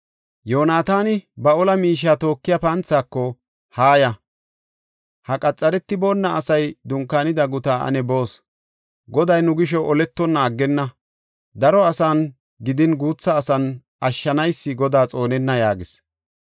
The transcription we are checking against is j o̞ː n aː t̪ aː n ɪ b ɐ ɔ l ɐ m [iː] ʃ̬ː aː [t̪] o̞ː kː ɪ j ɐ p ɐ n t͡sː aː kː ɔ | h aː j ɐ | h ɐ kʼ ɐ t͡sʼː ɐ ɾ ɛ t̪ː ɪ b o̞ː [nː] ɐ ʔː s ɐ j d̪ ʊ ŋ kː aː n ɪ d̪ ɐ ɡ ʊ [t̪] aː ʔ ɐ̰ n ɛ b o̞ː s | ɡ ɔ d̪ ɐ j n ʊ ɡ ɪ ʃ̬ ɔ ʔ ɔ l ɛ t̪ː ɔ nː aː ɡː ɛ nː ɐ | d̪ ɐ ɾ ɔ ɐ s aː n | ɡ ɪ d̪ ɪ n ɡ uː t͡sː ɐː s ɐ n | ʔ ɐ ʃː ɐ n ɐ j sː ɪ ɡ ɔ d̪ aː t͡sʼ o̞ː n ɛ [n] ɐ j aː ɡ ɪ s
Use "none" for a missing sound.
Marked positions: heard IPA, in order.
iː, t̪, nː, t̪, nː

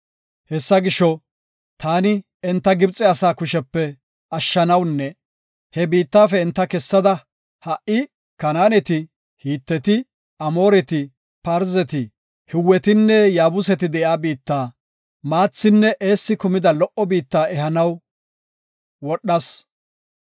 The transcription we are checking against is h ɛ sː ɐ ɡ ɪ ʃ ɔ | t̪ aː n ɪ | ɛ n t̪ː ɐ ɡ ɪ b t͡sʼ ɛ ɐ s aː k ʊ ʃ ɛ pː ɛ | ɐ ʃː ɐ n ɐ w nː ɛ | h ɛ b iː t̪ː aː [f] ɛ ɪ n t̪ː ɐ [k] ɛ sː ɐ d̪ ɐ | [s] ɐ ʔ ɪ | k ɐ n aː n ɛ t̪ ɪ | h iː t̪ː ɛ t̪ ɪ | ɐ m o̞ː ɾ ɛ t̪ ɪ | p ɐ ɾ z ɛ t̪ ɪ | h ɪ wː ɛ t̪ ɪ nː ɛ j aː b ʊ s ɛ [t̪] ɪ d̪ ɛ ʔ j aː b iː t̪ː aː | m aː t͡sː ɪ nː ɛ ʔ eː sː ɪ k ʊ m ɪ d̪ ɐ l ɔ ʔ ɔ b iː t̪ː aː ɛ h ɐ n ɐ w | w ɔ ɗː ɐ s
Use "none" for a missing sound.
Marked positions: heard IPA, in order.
f, k, h, t̪

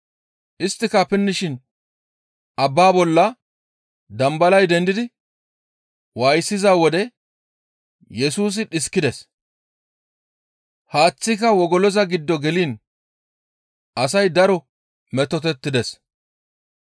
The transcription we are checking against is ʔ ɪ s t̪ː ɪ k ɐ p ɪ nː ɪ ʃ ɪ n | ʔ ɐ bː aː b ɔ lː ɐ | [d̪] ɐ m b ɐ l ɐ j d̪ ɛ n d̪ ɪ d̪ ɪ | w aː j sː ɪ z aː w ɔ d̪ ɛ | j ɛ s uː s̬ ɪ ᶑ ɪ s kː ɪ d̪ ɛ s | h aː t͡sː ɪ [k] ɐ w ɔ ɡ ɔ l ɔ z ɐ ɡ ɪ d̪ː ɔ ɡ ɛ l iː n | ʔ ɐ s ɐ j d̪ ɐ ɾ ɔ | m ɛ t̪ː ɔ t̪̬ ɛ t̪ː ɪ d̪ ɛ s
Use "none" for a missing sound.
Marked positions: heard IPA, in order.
d̪, k

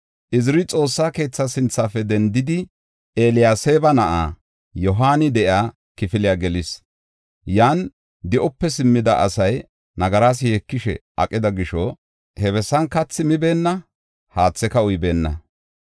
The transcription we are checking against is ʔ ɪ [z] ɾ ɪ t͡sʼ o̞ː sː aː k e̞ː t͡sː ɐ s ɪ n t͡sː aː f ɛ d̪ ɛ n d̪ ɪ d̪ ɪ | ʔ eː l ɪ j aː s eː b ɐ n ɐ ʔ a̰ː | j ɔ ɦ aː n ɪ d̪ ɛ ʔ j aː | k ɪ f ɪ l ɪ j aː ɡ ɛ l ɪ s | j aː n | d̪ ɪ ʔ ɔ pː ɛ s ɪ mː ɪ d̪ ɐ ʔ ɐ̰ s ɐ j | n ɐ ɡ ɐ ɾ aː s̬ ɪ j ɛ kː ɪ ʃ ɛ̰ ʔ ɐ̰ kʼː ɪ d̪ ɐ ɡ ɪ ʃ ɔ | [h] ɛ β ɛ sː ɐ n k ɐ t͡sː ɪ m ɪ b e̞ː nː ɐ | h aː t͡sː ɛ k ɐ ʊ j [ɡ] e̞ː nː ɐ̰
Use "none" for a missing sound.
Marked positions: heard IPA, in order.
z, h, b

